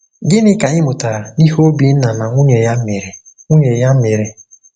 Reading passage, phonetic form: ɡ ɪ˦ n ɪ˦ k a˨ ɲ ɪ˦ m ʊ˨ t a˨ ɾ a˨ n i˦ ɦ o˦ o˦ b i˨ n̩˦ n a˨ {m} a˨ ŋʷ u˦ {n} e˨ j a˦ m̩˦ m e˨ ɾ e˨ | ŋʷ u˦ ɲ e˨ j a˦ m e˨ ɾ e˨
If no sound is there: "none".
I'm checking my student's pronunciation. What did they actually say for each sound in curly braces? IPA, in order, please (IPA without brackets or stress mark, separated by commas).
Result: n, ɲ